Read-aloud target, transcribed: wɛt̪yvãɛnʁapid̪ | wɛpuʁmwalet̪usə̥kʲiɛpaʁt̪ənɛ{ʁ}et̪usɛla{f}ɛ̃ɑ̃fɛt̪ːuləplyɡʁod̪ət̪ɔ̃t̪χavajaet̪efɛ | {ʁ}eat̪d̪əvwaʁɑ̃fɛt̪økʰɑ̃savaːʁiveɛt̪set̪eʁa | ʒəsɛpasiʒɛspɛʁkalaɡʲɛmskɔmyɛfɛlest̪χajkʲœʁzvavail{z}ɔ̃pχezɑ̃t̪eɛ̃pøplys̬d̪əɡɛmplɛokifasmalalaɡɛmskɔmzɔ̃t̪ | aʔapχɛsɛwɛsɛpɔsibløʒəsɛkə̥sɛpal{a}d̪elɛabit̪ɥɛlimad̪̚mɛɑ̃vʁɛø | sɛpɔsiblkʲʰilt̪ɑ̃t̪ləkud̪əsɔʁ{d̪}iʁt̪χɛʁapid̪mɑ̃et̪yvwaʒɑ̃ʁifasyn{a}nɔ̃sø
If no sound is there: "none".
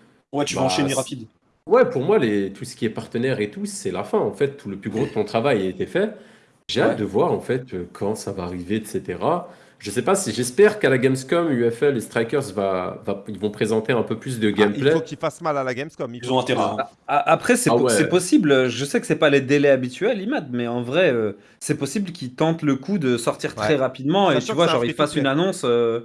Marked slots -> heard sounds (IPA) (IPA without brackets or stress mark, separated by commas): ʁ, f, ʒ, v, e, t̪, a